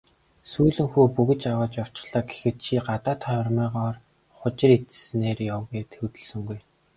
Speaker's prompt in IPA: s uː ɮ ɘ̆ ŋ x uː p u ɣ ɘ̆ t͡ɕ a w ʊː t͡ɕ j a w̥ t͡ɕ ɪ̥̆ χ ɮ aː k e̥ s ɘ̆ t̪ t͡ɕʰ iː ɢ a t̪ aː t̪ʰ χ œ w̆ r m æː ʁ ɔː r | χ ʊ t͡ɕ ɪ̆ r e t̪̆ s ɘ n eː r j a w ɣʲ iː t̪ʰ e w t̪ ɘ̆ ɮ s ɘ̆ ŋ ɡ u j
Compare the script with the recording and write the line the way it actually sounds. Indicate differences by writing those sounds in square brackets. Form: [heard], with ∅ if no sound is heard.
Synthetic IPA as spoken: s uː ɮ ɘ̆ ŋ x uː p u ɣ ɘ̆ t͡ɕ a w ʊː t͡ɕ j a w̥ t͡ɕ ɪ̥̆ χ ɮ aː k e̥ [x] ɘ̆ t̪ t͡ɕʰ iː ɢ a t̪ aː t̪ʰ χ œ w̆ r m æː ʁ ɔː r | χ ʊ t͡ɕ ɪ̆ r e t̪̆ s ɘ n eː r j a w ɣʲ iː t̪ʰ e w t̪ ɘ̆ ɮ s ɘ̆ ŋ ɡ u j

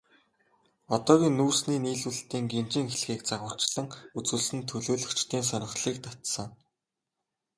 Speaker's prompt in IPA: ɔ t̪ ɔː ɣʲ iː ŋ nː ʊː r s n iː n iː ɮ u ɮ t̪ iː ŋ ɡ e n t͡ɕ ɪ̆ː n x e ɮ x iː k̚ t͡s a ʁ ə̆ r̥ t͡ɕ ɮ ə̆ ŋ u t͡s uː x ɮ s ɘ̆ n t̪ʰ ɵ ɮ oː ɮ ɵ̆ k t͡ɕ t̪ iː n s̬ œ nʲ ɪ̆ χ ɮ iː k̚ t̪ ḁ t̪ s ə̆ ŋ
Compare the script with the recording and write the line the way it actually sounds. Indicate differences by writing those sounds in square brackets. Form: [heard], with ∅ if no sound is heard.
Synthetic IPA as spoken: ɔ t̪ ɔː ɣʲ iː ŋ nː [uː] r s n iː n iː ɮ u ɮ t̪ iː ŋ ɡ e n t͡ɕ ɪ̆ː [ŋ] x e ɮ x iː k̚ t͡s a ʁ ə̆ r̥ t͡ɕ ɮ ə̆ ŋ u t͡s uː [∅] ɮ s ɘ̆ n t̪ʰ ɵ ɮ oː ɮ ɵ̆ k t͡ɕ t̪ iː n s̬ œ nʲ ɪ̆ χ ɮ iː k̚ t̪ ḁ t̪ s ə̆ ŋ

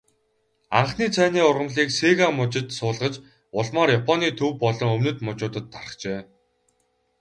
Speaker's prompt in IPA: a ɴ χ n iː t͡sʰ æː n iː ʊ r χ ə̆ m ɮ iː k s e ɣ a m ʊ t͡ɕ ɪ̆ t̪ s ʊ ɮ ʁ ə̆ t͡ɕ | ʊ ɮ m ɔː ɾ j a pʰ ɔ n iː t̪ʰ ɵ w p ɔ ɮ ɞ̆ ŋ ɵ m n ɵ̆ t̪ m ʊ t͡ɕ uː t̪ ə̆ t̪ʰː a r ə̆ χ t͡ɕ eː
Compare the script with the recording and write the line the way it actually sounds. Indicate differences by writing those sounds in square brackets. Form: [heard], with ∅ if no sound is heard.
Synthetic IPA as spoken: a ɴ χ n iː t͡sʰ æː n iː ʊ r [ʁ] ə̆ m ɮ iː k s e ɣ a m ʊ t͡ɕ ɪ̆ t̪ s [ʊː] ɮ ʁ ə̆ t͡ɕ | ʊ ɮ m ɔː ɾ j a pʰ ɔ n iː t̪ʰ ɵ w p ɔ ɮ ɞ̆ ŋ ɵ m n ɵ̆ t̪ m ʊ t͡ɕ [ʊː] t̪ ə̆ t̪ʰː a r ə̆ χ t͡ɕ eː

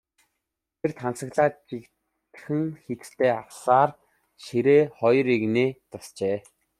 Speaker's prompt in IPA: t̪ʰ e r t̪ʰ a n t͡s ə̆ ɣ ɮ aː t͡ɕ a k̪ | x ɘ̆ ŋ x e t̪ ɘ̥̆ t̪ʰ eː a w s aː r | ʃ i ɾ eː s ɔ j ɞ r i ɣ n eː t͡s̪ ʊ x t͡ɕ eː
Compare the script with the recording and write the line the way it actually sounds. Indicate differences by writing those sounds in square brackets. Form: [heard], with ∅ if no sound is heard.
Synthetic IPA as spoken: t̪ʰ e r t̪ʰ a n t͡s ə̆ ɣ ɮ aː t͡ɕ [i] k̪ | x ɘ̆ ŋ x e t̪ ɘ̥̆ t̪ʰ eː a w s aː r | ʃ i ɾ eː [χ] ɔ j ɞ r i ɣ n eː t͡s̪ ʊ [s] t͡ɕ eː

